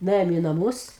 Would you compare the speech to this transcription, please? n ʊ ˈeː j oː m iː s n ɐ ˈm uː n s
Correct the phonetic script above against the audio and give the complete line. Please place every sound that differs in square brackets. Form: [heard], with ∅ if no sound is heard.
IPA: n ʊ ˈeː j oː m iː [∅] n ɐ ˈm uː [∅] s